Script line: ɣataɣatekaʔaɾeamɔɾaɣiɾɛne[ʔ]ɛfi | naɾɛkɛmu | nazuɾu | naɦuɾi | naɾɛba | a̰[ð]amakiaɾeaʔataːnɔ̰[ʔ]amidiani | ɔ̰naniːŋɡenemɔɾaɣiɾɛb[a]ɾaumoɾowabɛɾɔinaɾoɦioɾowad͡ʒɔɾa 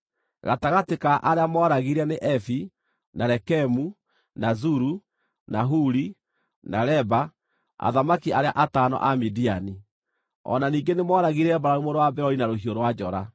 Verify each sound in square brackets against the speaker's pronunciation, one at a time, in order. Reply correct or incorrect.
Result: correct, correct, correct, correct

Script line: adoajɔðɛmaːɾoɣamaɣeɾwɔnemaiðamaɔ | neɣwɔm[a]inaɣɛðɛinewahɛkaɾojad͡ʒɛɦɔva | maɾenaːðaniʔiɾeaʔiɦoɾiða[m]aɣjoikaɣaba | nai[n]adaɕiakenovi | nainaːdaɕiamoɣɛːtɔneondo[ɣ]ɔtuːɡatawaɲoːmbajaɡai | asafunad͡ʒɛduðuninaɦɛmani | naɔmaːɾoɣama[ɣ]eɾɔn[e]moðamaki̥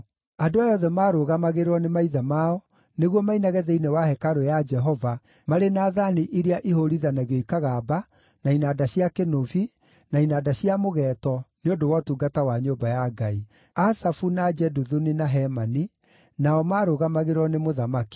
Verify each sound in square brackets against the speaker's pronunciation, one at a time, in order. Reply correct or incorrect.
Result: correct, incorrect, correct, incorrect, correct, correct

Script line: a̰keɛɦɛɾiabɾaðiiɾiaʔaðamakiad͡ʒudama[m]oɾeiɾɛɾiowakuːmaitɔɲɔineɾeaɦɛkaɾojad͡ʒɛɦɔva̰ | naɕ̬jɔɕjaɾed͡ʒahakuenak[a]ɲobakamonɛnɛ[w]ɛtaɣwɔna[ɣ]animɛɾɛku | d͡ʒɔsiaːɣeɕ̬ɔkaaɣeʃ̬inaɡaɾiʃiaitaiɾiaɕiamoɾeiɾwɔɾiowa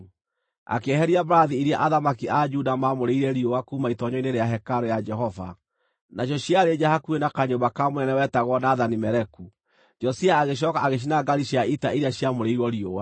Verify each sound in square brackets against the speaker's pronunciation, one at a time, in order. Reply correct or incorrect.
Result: correct, correct, correct, incorrect

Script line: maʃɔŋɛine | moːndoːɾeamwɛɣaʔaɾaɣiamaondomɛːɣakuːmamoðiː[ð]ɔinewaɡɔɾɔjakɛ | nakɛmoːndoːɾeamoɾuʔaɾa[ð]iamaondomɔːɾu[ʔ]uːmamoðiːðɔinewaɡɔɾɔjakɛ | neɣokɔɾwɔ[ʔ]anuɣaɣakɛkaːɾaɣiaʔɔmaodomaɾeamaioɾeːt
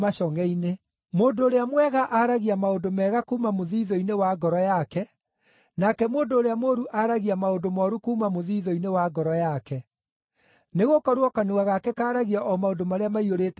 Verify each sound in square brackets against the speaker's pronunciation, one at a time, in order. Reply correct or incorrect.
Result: correct, incorrect, incorrect, incorrect

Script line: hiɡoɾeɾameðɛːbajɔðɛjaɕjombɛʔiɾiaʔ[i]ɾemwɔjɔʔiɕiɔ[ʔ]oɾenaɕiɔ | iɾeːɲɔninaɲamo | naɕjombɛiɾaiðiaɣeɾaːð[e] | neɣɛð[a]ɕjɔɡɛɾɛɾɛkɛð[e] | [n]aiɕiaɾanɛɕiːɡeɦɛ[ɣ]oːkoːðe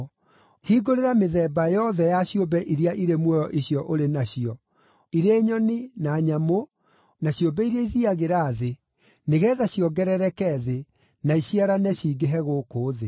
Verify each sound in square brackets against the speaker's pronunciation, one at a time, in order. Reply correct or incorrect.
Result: correct, correct, correct, correct, correct, correct, correct

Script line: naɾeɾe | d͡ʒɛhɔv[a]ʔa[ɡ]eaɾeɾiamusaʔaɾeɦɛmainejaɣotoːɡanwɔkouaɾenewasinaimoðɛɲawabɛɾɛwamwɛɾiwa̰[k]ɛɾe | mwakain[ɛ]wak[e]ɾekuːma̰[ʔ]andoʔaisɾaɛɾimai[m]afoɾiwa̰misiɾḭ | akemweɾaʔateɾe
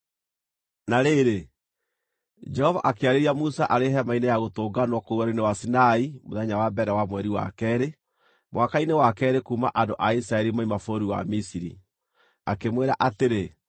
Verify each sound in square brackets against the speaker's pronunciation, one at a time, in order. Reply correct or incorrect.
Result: correct, incorrect, correct, incorrect, incorrect, correct, correct

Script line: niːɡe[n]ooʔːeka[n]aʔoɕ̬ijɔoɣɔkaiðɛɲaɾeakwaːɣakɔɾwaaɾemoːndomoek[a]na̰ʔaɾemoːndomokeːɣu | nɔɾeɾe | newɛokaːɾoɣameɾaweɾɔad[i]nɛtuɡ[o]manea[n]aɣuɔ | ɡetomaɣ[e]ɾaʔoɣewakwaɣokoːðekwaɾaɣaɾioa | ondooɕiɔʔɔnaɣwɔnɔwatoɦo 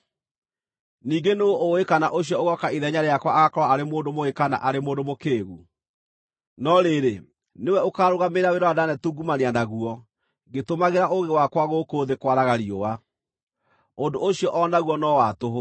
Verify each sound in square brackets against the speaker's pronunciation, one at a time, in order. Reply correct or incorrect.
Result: correct, correct, correct, incorrect, incorrect, correct, correct

